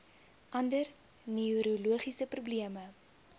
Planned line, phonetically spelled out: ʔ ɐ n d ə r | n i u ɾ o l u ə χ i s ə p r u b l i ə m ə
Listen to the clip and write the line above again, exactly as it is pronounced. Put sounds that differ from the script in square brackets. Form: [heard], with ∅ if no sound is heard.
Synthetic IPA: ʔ ɐ n d ə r | n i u ɾ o l u ə χ i s ə p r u b l i ə m ə